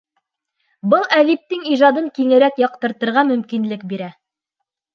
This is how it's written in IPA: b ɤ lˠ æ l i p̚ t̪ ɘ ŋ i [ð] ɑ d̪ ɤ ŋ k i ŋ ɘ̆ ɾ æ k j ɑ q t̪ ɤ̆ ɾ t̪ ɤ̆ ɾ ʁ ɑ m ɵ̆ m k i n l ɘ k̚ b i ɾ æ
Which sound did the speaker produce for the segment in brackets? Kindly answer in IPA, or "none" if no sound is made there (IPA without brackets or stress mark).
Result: ʒ